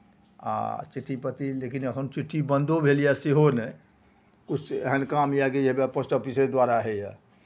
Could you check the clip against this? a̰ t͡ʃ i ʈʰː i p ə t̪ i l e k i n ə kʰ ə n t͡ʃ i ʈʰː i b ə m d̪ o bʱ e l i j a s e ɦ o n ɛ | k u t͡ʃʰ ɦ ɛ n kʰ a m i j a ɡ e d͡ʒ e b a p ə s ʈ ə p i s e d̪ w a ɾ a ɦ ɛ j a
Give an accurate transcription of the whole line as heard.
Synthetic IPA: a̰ t͡ʃ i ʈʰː i p ə t̪ i l e k i n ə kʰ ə n t͡ʃ i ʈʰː i b ə n d̪ o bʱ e l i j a s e ɦ o n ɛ | k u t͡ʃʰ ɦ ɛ n k a m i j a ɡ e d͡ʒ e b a p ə s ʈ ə p i s e d̪ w a ɾ a ɦ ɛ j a